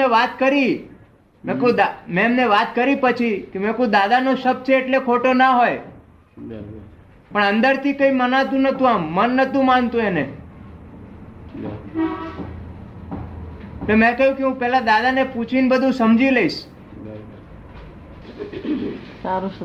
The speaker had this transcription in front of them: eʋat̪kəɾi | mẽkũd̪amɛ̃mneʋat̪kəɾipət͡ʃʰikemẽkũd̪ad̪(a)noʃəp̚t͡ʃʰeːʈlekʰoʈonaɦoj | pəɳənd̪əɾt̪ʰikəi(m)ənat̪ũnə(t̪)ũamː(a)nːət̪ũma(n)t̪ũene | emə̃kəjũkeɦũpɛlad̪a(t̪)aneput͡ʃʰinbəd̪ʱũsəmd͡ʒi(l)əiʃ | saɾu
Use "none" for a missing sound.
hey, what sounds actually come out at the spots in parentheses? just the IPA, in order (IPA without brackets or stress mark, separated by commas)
a, m, t̪, ə, n, d̪, l